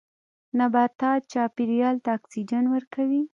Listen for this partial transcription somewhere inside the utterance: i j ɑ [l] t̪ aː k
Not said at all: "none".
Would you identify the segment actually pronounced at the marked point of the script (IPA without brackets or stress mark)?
l